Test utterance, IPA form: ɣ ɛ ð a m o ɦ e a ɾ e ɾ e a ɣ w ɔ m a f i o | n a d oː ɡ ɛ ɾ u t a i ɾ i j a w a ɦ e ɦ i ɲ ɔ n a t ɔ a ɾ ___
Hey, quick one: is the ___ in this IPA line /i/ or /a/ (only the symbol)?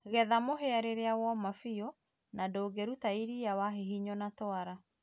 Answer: a